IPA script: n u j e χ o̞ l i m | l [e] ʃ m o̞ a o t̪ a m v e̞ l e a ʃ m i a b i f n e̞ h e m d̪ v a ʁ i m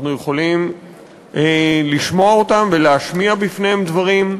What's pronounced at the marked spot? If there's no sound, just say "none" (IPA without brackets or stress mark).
i